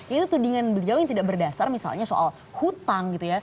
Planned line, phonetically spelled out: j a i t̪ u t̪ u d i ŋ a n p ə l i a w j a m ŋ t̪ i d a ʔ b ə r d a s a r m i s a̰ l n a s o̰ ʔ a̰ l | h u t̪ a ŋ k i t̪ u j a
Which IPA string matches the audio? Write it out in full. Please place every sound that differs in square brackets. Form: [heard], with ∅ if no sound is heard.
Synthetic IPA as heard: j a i t̪ u t̪ u d i ŋ a n [b] ə l i a w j a [∅] ŋ t̪ i d a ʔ b ə r d a s a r m i s a̰ l [ɲ] a s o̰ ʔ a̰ l | h u t̪ a ŋ [ɡ] i t̪ u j a